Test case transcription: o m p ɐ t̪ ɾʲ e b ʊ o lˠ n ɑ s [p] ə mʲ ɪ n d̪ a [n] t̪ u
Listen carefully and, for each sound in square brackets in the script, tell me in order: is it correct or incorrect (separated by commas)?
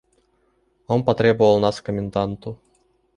incorrect, correct